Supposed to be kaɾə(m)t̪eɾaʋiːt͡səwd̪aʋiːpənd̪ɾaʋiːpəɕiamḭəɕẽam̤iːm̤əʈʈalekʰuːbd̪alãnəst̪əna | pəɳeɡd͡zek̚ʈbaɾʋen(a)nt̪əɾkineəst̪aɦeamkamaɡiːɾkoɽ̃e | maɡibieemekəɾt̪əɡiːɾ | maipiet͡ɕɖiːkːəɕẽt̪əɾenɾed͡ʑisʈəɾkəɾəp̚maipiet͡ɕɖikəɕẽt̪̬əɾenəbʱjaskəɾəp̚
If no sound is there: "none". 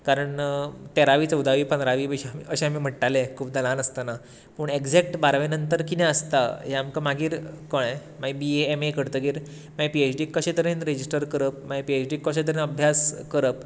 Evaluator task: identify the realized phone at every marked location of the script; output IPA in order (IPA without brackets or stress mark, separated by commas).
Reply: ɳ, ə